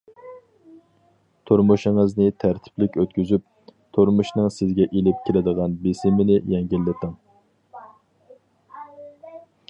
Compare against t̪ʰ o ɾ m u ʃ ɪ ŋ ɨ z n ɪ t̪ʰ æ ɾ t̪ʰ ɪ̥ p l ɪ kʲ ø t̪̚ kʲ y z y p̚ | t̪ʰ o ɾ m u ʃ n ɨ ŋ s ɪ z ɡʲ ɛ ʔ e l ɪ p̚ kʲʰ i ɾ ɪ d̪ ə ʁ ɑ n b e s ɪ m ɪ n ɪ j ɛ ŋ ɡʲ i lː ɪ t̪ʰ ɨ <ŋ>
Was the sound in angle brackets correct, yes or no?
yes